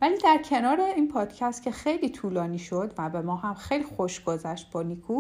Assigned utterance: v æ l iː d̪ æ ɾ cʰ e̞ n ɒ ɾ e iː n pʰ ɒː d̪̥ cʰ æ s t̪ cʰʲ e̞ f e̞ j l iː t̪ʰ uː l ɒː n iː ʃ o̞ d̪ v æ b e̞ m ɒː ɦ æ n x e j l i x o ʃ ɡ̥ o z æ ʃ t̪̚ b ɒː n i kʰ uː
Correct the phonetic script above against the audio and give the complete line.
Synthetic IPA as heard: v æ l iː d̪ æ ɾ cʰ e̞ n ɒː ɾ e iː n pʰ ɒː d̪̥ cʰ æ s t̪ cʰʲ e̞ x e̞ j l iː t̪ʰ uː l ɒː n iː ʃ o̞ d̪ v æ b e̞ m ɒː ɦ æ m x e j l i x o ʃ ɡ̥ o z æ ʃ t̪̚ b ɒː n i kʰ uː